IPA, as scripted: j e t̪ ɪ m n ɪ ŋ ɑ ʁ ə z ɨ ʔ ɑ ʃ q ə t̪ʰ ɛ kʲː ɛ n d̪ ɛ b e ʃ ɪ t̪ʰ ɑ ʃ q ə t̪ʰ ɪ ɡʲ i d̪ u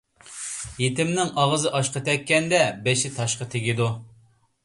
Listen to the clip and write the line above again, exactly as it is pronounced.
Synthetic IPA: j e t̪ ɪ m n ɪ ŋ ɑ ʁ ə z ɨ ʔ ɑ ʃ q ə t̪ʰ ɛ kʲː ɛ n d̪ ɛ b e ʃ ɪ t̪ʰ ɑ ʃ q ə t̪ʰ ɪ ɡʲ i d̪ u